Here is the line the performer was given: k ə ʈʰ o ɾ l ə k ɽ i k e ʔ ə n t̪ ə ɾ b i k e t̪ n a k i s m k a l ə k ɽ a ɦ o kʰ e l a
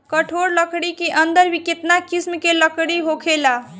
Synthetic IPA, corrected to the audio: k ə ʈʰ o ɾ l ə k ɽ i k e ʔ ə n d̪ ə ɾ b i k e t̪ n a k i s m k e l ə k ɽ i ɦ o kʰ e l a